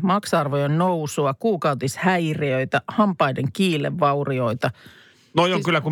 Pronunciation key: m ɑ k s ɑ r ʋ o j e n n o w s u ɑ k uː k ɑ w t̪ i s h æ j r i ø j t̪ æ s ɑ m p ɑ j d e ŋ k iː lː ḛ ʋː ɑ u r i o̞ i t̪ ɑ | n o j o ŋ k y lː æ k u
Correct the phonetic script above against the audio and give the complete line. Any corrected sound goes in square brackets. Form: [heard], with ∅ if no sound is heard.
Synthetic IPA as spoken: m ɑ k s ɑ r ʋ o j e n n o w s u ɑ k uː k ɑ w t̪ i s h æ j r i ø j t̪ æ [h] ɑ m p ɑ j d e ŋ k iː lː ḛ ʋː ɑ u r i o̞ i t̪ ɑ | n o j o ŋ k y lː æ k u